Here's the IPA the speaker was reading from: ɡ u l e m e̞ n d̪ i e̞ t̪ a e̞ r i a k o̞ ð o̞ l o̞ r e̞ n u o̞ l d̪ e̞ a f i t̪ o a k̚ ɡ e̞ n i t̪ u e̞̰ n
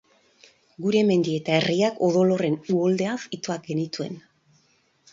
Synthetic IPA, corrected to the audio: ɡ u ɾ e m e̞ n d̪ i e̞ t̪ a e̞ r i a k o̞ ð o̞ l o̞ r e̞ n u o̞ l d̪ e̞ a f i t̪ o a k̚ ɡ e̞ n i t̪ u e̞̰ n